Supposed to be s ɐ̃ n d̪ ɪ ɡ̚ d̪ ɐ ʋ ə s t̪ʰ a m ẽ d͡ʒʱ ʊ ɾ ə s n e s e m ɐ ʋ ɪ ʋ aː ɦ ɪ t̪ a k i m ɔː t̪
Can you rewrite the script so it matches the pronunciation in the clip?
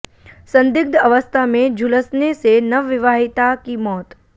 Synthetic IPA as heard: s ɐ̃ n d̪ ɪ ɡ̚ d̪ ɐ ʋ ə s t̪ʰ a m ẽ d͡ʒʱ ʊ l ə s n e s e n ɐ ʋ ɪ ʋ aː ɦ ɪ t̪ a k i m ɔː t̪